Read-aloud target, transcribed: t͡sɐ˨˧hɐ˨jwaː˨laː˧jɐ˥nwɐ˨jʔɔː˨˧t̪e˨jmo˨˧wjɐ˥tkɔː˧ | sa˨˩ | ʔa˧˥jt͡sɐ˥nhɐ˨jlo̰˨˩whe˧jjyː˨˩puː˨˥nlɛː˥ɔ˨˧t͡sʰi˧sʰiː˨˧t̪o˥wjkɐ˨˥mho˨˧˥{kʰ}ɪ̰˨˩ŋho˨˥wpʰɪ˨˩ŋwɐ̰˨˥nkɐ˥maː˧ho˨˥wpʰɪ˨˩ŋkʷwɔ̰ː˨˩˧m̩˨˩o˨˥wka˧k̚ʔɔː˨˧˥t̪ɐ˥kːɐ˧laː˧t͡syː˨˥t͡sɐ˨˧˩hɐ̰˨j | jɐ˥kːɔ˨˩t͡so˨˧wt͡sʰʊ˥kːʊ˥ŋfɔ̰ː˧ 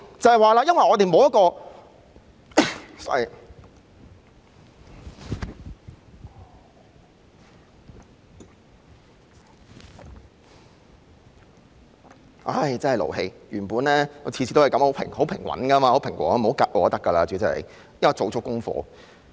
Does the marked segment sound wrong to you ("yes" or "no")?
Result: yes